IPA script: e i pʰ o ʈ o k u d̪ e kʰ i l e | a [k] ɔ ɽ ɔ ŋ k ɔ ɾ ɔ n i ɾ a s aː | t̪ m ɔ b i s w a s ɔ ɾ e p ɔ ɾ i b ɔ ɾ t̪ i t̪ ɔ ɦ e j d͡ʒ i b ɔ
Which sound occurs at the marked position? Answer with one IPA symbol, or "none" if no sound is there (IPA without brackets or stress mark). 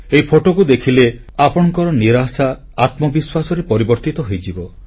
p